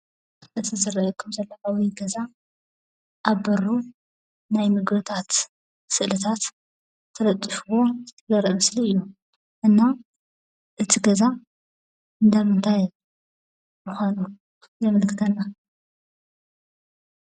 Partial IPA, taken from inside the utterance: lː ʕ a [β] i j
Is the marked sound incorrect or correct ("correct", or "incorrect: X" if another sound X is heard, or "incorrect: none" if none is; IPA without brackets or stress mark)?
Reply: incorrect: w